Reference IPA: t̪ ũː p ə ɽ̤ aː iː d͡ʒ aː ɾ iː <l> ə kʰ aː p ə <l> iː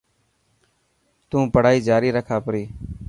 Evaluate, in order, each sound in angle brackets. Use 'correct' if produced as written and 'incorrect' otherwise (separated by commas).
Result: incorrect, incorrect